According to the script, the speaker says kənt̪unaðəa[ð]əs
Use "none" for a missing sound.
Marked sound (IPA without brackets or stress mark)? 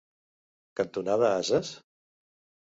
z